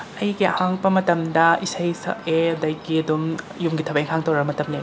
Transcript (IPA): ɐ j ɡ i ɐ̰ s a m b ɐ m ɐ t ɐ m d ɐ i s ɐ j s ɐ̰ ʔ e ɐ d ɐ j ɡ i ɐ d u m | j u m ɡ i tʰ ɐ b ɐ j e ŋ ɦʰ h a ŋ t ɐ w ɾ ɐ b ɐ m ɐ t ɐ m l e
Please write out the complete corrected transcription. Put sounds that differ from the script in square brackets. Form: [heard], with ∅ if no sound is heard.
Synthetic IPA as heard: ɐ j ɡ i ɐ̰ [h] a [ŋ] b ɐ m ɐ t ɐ m d ɐ i s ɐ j s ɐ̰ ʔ e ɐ d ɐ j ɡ i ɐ d u m | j u m ɡ i tʰ ɐ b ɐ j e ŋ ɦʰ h a ŋ t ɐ w ɾ ɐ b ɐ m ɐ t ɐ m l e